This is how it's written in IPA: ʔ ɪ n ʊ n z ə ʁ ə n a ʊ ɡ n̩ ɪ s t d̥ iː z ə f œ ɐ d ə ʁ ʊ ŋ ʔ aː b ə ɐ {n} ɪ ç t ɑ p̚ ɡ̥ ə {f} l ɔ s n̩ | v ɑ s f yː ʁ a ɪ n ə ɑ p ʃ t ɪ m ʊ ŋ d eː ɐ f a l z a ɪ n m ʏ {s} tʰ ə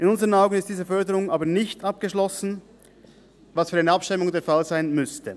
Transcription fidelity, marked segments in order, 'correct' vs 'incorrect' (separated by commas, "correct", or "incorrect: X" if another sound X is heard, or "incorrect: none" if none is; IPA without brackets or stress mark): correct, incorrect: ʃ, correct